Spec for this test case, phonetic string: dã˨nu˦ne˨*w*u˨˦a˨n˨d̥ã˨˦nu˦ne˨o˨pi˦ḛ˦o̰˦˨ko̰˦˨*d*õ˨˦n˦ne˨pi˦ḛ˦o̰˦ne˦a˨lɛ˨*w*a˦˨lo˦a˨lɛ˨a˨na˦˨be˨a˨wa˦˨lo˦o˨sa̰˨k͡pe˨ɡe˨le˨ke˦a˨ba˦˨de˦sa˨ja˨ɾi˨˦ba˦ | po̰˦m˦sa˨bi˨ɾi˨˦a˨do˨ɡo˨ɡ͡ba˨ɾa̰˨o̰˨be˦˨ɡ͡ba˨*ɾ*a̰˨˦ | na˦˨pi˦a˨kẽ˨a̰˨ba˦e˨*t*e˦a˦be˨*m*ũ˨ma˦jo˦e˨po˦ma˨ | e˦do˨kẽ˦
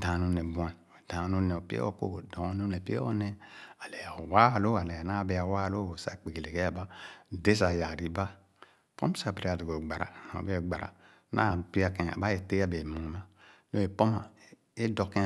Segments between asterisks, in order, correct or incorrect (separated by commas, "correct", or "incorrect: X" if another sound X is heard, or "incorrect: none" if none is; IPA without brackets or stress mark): incorrect: b, correct, correct, correct, correct, correct